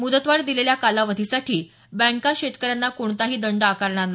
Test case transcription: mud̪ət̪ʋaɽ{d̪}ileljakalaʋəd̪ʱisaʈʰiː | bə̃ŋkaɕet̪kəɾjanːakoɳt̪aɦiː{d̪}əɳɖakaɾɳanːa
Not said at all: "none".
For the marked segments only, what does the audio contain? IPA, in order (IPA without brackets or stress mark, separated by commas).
d̪, d̪